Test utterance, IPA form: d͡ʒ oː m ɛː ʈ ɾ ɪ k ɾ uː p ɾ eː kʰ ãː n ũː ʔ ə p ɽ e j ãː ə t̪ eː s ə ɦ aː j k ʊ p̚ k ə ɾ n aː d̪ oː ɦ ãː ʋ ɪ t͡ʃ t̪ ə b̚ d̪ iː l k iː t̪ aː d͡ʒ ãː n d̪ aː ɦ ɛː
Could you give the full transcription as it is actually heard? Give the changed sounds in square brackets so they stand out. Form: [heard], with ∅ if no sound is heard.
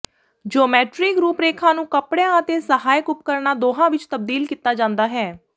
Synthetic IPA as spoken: d͡ʒ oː m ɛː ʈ ɾ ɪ k ɾ uː p ɾ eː kʰ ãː n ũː [k] ə p ɽ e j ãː ə t̪ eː s ə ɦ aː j k ʊ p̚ k ə ɾ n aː d̪ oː ɦ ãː ʋ ɪ t͡ʃ t̪ ə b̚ d̪ iː l k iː t̪ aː d͡ʒ ãː n d̪ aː ɦ ɛː

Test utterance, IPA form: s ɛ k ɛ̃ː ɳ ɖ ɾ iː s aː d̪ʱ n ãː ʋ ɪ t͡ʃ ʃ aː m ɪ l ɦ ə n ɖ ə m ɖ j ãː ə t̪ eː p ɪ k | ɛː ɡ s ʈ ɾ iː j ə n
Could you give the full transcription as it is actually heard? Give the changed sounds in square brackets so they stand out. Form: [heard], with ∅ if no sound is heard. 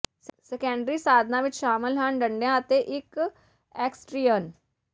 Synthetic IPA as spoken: s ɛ k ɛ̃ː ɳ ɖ ɾ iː s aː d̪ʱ n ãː ʋ ɪ t͡ʃ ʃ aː m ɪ l ɦ ə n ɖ ə [ɳ] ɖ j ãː ə t̪ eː [ʔ] ɪ k | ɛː [k] s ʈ ɾ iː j ə n

